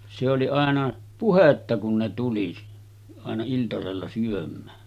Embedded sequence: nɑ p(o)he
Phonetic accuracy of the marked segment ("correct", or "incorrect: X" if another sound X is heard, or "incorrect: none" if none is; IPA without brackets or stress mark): incorrect: u